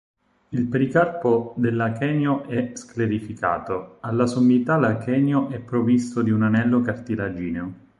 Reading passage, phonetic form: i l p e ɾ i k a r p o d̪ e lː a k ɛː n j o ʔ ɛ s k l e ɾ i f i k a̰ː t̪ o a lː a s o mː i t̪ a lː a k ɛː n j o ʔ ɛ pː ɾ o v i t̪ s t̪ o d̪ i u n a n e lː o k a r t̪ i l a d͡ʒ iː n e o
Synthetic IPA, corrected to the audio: i l p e ɾ i k a r p o d̪ e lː a k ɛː n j o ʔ ɛ s k l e ɾ i f i k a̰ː t̪ o a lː a s o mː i t̪ a l a k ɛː n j o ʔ ɛ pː ɾ o v i s t̪ o d̪ i u n a n ɛ lː o k a r t̪ i l a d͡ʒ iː n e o